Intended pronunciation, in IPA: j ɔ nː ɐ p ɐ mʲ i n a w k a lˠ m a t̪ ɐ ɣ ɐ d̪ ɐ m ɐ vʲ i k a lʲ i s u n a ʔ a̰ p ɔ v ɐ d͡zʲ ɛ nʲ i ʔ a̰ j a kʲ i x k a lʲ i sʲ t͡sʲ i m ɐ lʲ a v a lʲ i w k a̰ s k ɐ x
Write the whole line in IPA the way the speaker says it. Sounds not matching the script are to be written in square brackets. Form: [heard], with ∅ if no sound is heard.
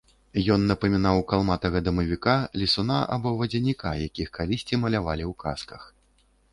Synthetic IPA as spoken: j ɔ nː ɐ p ɐ mʲ i n a w k a lˠ m a t̪ ɐ ɣ ɐ d̪ ɐ m ɐ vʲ i k a lʲ i s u n a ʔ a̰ [b] ɔ v ɐ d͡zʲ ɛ nʲ i [k] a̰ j a kʲ i x k a lʲ i sʲ t͡sʲ i m ɐ lʲ a v a lʲ i w k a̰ s k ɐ x

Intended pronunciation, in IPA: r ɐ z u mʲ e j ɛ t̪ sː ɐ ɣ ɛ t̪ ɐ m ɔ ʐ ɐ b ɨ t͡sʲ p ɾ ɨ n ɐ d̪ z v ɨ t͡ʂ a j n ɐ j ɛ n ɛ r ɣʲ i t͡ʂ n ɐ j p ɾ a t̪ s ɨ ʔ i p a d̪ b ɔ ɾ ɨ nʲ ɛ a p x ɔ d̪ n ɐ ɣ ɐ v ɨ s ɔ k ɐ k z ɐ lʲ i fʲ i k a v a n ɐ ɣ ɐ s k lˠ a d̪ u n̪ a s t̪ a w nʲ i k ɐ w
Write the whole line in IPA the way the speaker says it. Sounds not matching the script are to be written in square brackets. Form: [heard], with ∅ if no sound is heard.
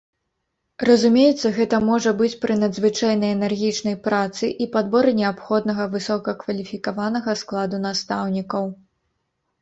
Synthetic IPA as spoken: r ɐ z u mʲ e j ɛ t̪ sː ɐ ɣ ɛ t̪ ɐ m ɔ ʐ ɐ b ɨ t͡sʲ p ɾ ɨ n ɐ d̪ z v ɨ t͡ʂ a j n ɐ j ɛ n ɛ r ɣʲ i t͡ʂ n ɐ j p ɾ a t̪ s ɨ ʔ i p a d̪ b ɔ ɾ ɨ nʲ ɛ a p x ɔ d̪ n ɐ ɣ ɐ v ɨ s ɔ k ɐ k [v] ɐ lʲ i fʲ i k a v a n ɐ ɣ ɐ s k lˠ a d̪ u n̪ a s t̪ a w nʲ i k ɐ w

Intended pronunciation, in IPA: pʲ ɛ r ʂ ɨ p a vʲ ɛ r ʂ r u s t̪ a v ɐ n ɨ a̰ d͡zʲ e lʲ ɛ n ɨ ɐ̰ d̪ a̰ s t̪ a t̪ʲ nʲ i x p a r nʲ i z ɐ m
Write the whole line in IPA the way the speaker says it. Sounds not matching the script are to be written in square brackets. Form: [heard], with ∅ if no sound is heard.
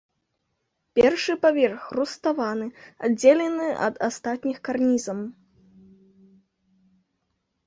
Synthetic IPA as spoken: pʲ ɛ r ʂ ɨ p a vʲ ɛ r [x] r u s t̪ a v [a] n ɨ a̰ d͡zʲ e lʲ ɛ n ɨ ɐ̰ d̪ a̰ s t̪ a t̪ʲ nʲ i x [k] a r nʲ i z ɐ m

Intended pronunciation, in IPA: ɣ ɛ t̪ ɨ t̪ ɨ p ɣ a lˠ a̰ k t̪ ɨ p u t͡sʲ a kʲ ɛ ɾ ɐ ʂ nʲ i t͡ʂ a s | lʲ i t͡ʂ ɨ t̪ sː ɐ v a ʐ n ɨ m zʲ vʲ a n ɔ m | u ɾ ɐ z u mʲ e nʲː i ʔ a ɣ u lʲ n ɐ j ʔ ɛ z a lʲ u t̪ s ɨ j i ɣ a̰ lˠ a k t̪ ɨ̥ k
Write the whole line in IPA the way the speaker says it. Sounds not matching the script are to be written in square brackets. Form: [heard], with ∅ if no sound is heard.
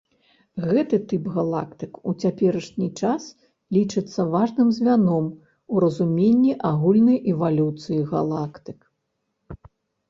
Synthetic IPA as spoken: ɣ ɛ t̪ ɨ t̪ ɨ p ɣ a lˠ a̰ k t̪ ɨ [k] u t͡sʲ a [pʲ] ɛ ɾ ɐ ʂ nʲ i t͡ʂ a s | lʲ i t͡ʂ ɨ t̪ sː ɐ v a ʐ n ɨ m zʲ vʲ a n ɔ m | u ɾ ɐ z u mʲ e nʲː i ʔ a ɣ u lʲ n ɐ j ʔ ɛ [v] a lʲ u t̪ s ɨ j i ɣ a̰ lˠ a k t̪ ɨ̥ k

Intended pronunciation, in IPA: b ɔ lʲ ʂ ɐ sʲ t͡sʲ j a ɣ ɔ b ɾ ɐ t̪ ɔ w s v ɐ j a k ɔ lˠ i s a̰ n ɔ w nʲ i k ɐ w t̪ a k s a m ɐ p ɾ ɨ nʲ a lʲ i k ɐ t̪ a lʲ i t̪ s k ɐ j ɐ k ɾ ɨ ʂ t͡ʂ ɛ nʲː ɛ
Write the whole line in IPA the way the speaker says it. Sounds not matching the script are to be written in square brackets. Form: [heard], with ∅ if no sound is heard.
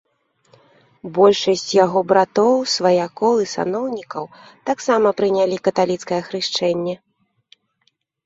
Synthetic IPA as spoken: b ɔ lʲ ʂ ɐ sʲ t͡sʲ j a ɣ ɔ b ɾ [a] t̪ ɔ w s v ɐ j a k ɔ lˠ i s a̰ n ɔ w nʲ i k ɐ w t̪ a k s a m ɐ p ɾ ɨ nʲ a lʲ i k ɐ t̪ a lʲ i t̪ s k ɐ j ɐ [x] ɾ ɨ ʂ t͡ʂ ɛ nʲː ɛ

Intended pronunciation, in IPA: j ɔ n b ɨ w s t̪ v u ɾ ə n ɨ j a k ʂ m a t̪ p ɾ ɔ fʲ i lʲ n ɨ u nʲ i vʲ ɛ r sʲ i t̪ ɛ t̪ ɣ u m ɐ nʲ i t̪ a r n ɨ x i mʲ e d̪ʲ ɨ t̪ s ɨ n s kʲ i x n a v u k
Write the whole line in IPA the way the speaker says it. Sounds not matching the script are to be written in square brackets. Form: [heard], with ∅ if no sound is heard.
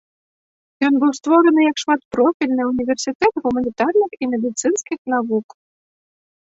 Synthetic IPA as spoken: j ɔ n b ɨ w s t̪ v [ɔ] ɾ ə n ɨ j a k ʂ m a t̪ p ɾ ɔ fʲ i lʲ n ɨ u nʲ i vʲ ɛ r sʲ i t̪ ɛ t̪ ɣ u m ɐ nʲ i t̪ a r n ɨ x i mʲ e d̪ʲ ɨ t̪ s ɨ n s kʲ i x n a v u k

